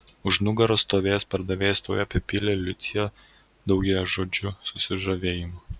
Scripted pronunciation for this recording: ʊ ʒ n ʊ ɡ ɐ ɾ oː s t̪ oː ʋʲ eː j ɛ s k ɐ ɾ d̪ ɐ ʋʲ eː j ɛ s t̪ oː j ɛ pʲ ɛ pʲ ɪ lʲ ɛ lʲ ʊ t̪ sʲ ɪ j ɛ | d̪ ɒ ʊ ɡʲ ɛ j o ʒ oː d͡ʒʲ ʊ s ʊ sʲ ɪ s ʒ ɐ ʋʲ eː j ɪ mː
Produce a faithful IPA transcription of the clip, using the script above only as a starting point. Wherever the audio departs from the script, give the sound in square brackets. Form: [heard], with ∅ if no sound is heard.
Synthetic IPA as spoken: ʊ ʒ n ʊ ɡ ɐ ɾ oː s t̪ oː ʋʲ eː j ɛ s [p] ɐ ɾ d̪ ɐ ʋʲ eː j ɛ s t̪ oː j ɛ pʲ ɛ pʲ ɪ lʲ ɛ lʲ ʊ t̪ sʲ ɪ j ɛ | d̪ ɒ ʊ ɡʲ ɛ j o ʒ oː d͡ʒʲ ʊ s ʊ sʲ ɪ [∅] ʒ ɐ ʋʲ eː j ɪ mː